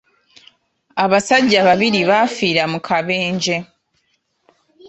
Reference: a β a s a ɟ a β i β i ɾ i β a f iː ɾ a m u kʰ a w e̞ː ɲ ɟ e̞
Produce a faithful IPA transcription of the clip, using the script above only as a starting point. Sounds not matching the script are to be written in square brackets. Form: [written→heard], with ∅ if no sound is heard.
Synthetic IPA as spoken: a β a s a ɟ a β [i→a] β i ɾ i β a f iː ɾ a m u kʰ a [w→β] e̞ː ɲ ɟ e̞

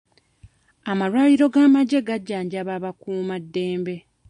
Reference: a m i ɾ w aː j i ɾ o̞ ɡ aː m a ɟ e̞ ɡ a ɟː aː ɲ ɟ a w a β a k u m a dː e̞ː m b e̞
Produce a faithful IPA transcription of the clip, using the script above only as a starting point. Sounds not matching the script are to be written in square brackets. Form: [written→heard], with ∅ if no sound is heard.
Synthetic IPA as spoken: a m [i→a] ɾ w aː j i ɾ o̞ ɡ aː m a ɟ e̞ ɡ a ɟː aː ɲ ɟ a [w→β] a β a k [u→uː] m a dː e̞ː m b e̞

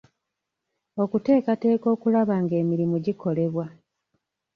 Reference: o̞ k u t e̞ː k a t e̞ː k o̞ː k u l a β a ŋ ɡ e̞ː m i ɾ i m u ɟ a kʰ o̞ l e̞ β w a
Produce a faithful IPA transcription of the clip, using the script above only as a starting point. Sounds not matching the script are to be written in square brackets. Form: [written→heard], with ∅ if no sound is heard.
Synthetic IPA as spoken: o̞ k u t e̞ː k a t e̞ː k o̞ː k u l a β a ŋ ɡ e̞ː m i ɾ i m u ɟ [a→i] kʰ o̞ l e̞ β w a

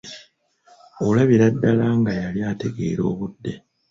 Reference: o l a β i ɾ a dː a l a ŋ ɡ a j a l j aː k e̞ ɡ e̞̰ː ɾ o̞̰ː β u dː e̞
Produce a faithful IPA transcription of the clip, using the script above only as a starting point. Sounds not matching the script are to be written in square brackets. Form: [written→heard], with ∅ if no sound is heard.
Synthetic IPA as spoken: o l a β i ɾ a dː a l a ŋ ɡ a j a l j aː [k→t] e̞ ɡ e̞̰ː ɾ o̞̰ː β u dː e̞

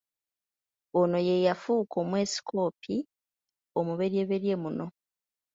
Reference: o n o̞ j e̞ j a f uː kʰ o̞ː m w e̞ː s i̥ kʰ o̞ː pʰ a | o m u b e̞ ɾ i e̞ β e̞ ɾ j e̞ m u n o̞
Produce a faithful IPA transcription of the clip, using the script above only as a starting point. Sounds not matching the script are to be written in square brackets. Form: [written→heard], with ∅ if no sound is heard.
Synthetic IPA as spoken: o n o̞ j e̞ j a f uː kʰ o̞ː m w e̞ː s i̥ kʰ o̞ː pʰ [a→i] | o m u [b→β] e̞ ɾ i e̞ β e̞ ɾ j e̞ m u n o̞

